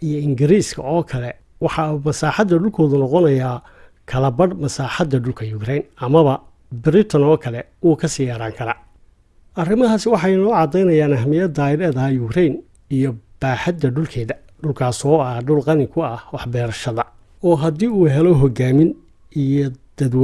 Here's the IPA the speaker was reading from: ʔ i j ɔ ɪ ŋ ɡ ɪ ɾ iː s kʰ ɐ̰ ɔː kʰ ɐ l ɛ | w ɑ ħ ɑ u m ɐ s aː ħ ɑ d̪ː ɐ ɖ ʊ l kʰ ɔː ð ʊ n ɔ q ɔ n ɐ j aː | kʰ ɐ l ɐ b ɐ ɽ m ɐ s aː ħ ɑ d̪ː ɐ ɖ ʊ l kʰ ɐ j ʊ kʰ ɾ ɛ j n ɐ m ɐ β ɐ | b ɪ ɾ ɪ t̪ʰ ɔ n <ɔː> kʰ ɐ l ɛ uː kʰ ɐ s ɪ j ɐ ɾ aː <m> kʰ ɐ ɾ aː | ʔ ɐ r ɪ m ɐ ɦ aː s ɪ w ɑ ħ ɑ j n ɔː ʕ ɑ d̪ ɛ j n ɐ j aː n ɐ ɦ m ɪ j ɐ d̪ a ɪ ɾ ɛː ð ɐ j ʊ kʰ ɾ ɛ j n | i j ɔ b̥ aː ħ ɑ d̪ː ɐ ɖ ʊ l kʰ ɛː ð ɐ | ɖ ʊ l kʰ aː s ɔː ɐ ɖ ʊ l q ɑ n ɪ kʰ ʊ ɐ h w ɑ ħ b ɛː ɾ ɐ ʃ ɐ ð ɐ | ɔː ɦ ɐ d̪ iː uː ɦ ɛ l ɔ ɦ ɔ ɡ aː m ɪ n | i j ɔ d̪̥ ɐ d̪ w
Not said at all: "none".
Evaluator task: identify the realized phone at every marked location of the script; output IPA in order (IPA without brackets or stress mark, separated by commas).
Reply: ɔː, ŋ